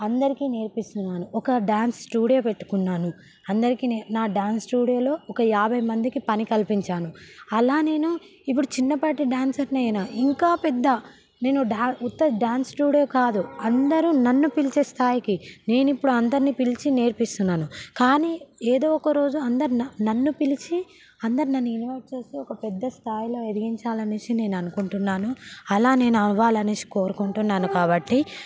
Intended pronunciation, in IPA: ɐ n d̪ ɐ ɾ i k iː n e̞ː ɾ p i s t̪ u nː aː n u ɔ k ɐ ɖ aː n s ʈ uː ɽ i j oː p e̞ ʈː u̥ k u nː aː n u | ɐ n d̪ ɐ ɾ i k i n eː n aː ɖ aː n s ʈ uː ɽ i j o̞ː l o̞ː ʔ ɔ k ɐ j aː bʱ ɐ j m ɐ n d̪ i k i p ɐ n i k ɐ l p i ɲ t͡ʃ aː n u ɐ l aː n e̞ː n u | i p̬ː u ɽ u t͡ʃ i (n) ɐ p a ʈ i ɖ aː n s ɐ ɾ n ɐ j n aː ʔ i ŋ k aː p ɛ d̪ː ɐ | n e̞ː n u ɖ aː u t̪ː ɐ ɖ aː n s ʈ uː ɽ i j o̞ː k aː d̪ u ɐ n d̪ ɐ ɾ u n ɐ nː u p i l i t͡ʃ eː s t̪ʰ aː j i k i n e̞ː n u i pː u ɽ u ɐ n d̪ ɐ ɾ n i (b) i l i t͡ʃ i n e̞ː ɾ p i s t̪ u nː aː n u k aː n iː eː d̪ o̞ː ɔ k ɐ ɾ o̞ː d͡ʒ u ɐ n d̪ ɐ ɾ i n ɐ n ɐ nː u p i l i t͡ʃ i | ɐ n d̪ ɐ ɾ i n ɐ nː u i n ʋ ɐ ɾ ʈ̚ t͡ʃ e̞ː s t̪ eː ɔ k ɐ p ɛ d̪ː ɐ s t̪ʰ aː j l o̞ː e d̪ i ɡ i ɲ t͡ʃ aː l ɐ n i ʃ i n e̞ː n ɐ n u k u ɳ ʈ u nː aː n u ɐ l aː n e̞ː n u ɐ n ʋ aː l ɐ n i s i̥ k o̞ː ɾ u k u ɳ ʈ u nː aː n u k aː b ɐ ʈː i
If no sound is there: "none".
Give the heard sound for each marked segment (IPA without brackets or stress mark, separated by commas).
nː, p